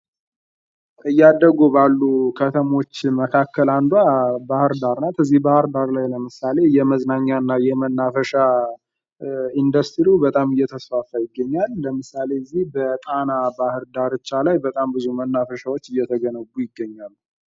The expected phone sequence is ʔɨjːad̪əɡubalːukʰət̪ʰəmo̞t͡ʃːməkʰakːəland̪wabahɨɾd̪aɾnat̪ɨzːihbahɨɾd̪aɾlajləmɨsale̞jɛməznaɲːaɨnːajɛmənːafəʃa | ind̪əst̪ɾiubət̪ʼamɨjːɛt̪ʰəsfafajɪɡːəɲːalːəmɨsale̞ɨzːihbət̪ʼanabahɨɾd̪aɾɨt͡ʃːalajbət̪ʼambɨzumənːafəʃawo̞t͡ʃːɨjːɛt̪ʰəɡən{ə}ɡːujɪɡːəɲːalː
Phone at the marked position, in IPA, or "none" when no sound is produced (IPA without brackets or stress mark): ə